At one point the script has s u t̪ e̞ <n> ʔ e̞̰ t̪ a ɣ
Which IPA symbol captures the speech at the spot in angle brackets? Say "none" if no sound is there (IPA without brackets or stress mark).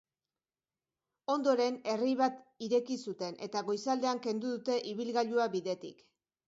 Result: n